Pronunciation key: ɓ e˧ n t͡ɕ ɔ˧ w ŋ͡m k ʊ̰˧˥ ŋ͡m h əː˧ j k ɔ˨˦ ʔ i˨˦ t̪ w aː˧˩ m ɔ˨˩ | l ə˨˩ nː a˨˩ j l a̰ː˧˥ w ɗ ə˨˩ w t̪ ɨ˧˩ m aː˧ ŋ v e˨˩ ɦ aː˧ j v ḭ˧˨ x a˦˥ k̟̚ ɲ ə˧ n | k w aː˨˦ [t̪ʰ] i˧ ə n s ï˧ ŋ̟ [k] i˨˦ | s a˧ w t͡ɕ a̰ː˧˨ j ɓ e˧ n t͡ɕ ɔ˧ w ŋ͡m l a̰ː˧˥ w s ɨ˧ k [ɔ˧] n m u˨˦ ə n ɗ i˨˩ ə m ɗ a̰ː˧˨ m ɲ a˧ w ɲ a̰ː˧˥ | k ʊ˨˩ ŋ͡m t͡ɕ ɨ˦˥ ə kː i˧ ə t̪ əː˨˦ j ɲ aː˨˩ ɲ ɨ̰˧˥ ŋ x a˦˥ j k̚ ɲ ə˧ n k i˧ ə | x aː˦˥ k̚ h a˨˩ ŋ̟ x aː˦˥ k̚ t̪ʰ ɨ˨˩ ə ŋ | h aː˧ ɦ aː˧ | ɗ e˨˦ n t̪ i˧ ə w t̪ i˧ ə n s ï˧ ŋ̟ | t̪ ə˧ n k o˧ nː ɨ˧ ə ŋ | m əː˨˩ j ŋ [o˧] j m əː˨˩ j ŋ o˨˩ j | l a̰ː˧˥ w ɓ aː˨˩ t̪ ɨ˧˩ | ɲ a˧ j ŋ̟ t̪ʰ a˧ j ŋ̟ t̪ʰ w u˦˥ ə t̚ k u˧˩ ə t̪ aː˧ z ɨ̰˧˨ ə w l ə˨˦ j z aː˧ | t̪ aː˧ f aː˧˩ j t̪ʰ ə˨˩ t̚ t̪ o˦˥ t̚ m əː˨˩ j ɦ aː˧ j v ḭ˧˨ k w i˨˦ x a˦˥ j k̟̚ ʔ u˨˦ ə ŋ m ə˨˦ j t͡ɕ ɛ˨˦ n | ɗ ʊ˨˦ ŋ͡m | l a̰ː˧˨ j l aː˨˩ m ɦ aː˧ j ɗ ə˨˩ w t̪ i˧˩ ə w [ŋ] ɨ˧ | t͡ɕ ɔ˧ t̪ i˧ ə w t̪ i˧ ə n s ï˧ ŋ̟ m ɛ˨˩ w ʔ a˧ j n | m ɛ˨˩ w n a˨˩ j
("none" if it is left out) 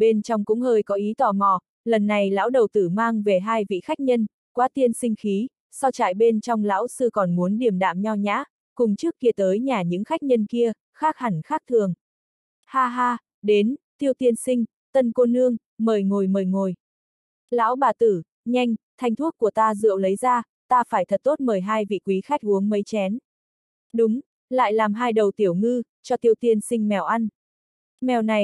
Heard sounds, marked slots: t̪, x, ɔ˨˩, o˨˩, ŋ

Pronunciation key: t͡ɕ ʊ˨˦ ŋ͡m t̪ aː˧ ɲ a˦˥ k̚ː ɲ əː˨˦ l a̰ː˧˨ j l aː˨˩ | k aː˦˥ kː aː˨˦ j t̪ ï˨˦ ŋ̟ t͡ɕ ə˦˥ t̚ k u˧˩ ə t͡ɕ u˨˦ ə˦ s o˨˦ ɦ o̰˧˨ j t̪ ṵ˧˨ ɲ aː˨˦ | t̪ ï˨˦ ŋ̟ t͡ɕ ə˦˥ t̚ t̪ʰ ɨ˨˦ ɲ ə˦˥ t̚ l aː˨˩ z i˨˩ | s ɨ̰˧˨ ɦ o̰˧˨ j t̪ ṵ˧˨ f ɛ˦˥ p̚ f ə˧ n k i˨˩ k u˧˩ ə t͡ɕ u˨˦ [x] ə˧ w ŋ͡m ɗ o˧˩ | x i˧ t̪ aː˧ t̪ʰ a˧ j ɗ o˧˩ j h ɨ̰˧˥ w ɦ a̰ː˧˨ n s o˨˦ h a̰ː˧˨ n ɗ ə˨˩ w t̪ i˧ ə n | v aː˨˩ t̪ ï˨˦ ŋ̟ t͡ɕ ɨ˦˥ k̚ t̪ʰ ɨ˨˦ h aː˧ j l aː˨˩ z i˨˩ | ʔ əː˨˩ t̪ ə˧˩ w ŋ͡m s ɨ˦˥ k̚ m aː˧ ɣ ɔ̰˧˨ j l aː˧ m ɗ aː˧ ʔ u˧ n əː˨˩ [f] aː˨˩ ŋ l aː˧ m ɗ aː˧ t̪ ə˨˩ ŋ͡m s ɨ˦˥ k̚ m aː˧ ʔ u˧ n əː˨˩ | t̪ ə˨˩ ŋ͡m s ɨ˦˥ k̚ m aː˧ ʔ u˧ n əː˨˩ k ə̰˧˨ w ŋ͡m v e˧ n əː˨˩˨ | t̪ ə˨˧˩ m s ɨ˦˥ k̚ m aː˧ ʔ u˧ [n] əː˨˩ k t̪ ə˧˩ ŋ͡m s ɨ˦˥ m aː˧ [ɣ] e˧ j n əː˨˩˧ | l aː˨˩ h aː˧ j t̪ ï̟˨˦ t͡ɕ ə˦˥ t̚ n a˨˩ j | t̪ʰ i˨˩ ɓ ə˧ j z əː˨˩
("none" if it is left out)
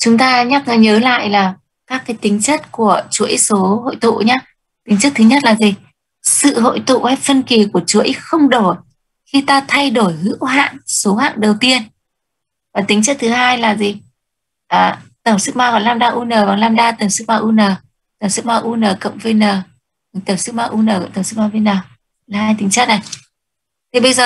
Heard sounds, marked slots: x, v, n, v

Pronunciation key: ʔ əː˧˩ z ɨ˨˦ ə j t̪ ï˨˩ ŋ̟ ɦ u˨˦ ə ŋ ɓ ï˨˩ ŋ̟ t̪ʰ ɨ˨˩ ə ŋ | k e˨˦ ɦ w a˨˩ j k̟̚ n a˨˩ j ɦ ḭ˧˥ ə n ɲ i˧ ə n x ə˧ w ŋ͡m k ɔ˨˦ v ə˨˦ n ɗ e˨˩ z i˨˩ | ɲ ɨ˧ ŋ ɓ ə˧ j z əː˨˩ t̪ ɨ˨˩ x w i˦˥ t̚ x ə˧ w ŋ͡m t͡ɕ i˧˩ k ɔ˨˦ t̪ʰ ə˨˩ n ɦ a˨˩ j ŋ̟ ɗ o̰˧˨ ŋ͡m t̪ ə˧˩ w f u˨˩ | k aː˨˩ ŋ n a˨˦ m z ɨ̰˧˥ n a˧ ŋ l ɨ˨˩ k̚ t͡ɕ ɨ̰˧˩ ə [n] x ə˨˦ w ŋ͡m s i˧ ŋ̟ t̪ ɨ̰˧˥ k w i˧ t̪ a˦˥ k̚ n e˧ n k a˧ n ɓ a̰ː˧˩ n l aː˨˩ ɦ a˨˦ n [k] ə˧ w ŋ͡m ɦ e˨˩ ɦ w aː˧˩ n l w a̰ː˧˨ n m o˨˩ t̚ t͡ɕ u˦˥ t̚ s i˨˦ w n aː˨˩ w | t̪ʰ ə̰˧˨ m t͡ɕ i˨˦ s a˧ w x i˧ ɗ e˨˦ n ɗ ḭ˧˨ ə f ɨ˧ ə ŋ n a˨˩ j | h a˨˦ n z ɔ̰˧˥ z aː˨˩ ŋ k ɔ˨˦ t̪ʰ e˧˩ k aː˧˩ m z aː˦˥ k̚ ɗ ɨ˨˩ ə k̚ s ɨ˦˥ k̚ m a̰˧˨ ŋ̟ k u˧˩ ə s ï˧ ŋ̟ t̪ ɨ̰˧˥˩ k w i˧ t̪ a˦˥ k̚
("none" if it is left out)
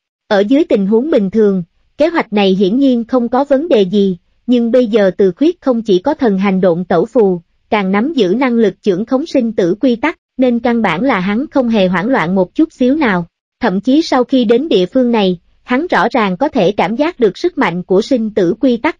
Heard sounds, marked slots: ŋ, x

